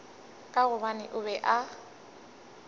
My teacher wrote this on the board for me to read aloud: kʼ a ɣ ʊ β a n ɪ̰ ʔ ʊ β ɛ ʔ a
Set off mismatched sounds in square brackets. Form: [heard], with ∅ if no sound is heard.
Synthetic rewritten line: kʼ a ɣ ʊ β a n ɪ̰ ʔ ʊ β ɛ ʔ a